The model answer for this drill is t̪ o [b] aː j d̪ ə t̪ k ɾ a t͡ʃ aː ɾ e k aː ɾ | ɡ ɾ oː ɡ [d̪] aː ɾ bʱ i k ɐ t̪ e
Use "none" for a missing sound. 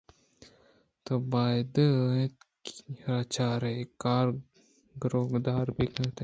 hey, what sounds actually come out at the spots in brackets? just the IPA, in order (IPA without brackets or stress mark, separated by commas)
b, d̪